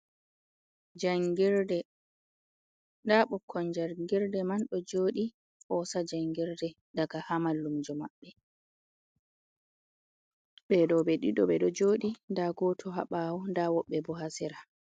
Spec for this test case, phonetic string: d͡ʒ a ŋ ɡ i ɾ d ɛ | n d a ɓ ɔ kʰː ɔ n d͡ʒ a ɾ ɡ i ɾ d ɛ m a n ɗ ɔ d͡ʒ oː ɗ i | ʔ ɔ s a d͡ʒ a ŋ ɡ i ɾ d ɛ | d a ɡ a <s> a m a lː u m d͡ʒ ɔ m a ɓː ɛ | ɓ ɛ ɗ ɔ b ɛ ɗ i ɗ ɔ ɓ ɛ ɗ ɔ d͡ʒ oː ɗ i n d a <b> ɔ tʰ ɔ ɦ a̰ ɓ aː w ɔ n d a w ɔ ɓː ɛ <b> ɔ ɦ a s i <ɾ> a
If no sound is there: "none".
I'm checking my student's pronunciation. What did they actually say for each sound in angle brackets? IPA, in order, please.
h, ɡ, b, ɾ

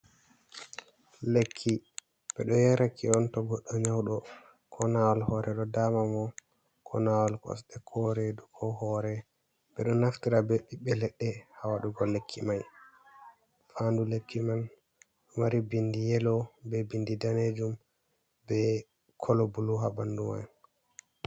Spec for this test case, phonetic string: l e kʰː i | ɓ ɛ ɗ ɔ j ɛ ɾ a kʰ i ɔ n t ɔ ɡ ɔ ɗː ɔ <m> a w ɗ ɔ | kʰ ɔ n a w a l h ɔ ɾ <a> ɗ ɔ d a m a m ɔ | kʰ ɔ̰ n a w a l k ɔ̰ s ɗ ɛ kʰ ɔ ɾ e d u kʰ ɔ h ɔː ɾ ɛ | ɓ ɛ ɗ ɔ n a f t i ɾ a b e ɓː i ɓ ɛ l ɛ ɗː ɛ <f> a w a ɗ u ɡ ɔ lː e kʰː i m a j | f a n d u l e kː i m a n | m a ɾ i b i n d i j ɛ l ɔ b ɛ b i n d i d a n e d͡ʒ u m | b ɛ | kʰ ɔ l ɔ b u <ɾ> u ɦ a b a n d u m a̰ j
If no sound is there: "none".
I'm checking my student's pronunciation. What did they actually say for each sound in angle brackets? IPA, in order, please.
ɲ, ɛ, h, l

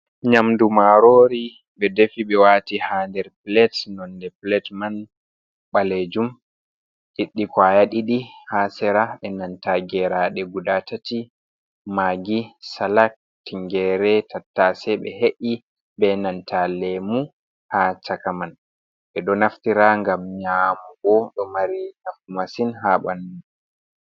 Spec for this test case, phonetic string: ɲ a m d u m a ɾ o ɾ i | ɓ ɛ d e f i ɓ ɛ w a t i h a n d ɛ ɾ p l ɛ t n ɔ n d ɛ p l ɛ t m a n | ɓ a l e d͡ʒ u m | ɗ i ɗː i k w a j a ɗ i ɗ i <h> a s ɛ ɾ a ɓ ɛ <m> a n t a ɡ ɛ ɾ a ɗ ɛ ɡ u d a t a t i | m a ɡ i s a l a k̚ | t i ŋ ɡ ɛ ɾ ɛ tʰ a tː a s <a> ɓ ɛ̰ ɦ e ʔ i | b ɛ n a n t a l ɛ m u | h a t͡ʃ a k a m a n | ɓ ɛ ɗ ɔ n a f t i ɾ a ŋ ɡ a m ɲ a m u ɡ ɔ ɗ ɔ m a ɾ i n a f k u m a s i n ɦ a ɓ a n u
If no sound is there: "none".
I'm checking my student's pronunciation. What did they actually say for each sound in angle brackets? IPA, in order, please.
h, n, ɛ

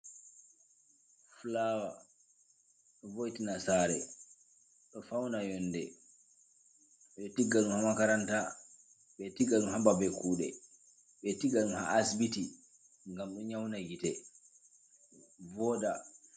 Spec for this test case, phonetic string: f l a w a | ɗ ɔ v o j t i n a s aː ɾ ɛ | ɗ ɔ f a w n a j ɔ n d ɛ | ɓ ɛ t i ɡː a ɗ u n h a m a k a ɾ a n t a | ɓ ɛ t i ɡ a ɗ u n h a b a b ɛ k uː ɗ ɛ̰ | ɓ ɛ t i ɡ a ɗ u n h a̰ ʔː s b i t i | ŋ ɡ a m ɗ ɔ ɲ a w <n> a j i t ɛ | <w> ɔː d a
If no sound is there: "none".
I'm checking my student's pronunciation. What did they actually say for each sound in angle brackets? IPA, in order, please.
n, v

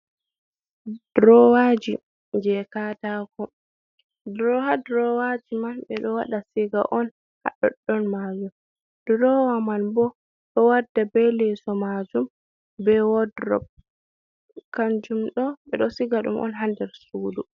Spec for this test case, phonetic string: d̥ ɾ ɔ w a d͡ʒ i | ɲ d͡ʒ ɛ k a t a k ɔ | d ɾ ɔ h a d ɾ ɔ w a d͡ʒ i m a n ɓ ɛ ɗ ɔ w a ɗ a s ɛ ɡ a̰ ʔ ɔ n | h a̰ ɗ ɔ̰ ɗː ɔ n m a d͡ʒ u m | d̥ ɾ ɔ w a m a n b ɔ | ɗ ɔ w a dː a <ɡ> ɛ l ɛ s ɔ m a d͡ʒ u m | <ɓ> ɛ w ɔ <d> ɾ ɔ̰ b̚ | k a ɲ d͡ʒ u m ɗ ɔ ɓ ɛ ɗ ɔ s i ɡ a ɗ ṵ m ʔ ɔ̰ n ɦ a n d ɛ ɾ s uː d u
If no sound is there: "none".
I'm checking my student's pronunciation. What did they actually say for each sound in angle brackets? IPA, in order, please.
b, b, d

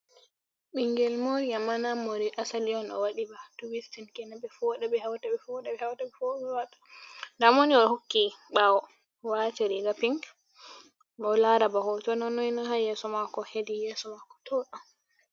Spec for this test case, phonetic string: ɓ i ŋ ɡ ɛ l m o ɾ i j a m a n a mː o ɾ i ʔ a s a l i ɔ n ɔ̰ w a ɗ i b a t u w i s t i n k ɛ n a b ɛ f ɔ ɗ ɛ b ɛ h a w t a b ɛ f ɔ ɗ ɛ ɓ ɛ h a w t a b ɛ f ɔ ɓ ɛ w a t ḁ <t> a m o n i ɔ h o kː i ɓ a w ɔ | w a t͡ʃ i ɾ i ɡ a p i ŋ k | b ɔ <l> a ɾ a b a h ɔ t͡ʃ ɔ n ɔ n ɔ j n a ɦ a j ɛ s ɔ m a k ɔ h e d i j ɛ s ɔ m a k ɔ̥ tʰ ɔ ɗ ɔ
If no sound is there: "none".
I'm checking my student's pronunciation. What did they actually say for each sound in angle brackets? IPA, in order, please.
d, l

